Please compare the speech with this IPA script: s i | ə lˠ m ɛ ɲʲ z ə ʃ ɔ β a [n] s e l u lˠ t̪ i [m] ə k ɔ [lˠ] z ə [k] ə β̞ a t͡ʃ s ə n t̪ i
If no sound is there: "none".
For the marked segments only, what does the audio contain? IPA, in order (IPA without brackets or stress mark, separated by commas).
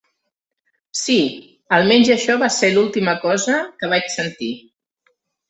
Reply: none, m, none, k